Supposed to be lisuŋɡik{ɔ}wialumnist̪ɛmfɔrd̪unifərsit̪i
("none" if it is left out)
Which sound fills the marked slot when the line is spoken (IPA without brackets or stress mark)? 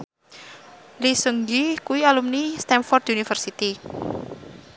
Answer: u